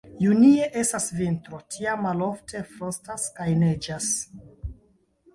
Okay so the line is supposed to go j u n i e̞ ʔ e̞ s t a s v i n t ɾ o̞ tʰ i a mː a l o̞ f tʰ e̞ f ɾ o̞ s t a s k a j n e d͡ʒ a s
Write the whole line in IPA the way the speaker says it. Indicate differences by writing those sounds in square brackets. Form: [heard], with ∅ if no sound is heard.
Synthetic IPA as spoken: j u n i e̞ ʔ e̞ s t a s v i n t ɾ o̞ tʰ i a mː a l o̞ f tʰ e̞ f ɾ o̞ s t a s k a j n e d͡ʒ a s